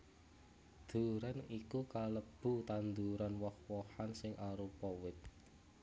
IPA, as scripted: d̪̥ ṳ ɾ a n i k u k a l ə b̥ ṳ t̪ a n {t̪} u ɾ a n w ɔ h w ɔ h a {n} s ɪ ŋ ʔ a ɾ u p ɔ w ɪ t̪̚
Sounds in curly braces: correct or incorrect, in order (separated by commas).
incorrect, correct